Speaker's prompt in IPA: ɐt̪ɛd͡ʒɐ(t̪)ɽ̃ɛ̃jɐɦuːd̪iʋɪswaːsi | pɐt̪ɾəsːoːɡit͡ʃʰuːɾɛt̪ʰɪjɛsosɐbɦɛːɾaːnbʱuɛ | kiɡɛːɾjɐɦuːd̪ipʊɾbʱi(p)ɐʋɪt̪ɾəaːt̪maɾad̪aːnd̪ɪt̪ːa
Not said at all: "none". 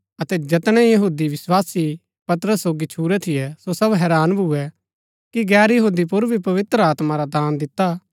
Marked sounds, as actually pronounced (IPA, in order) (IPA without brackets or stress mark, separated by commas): t̪, p